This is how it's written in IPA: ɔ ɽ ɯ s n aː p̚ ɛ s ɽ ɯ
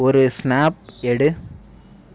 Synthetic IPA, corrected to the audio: ɔ ɾ ɯ s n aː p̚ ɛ ɽ ɯ